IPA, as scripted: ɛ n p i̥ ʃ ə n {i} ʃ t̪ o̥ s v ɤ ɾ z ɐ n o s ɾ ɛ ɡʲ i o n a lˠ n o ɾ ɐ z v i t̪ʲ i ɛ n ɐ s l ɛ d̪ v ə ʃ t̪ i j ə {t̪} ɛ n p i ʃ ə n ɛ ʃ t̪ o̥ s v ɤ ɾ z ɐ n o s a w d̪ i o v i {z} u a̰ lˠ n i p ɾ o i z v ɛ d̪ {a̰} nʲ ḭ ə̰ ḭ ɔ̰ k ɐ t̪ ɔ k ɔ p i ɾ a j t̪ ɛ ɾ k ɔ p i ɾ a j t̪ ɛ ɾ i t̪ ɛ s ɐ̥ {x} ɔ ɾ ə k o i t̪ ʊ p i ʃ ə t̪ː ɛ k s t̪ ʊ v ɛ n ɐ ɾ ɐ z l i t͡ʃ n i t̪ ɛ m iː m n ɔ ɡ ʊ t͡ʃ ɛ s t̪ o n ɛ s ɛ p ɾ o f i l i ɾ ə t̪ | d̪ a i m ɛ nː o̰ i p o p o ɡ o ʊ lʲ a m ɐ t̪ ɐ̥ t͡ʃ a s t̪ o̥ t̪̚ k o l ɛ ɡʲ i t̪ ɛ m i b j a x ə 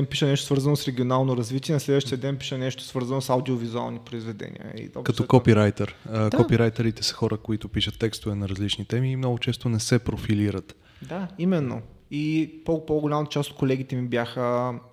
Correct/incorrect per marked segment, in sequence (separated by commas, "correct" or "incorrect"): incorrect, incorrect, correct, incorrect, correct